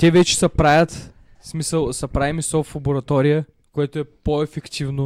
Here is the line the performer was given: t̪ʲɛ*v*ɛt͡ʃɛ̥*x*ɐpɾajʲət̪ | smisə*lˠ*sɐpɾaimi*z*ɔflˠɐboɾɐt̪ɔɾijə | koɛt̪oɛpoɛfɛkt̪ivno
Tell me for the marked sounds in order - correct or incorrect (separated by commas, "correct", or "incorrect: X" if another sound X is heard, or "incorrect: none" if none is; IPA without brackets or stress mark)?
correct, incorrect: s, correct, incorrect: s